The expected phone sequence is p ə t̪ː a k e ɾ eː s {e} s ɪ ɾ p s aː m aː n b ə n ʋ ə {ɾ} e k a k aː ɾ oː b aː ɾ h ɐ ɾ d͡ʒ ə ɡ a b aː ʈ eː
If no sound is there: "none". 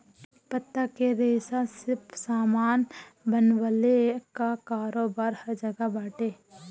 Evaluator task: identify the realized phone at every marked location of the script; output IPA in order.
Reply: a, l

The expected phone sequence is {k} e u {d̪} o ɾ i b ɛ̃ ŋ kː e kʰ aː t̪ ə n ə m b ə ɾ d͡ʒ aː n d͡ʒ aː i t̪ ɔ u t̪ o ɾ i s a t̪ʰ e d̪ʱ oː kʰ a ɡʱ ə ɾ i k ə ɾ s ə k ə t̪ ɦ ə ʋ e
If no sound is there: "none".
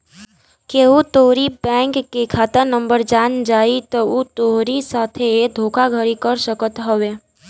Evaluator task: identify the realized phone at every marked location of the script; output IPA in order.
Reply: k, t̪

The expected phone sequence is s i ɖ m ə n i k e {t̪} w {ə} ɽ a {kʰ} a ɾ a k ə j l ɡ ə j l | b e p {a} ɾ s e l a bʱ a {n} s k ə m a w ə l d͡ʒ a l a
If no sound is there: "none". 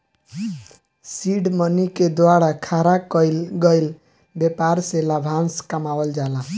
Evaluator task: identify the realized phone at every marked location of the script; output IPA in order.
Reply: d̪, a, kʰ, a, n

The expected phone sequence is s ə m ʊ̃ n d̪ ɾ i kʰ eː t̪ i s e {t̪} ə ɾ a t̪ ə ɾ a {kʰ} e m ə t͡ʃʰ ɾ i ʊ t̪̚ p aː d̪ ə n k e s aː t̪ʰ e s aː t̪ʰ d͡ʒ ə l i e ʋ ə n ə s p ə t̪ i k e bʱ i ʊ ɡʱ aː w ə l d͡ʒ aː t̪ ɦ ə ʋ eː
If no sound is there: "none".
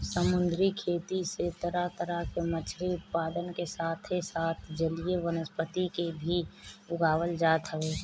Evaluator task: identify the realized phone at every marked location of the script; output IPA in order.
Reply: t̪, k

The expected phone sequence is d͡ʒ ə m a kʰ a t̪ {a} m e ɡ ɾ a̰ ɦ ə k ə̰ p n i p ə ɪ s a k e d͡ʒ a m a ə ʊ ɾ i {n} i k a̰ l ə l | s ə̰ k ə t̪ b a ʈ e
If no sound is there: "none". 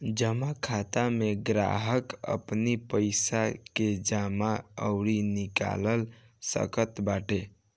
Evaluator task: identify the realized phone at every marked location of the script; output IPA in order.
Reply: a, n

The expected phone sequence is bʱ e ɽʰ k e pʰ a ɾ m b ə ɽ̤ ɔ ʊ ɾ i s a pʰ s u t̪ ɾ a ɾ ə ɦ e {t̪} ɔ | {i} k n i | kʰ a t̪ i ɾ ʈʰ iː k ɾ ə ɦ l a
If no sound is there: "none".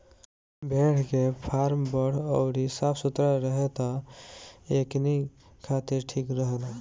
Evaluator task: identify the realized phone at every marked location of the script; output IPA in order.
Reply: t̪, e

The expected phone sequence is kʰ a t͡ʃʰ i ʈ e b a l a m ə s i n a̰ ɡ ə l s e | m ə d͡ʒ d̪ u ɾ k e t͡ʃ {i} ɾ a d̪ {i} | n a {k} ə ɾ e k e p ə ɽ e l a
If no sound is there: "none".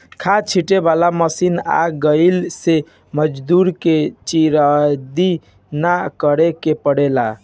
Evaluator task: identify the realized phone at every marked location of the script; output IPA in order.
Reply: i, i, k

